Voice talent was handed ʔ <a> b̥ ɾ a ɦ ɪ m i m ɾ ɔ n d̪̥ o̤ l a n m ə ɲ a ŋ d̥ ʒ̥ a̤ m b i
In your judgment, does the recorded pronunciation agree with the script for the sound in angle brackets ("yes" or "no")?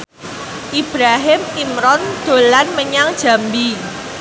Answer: no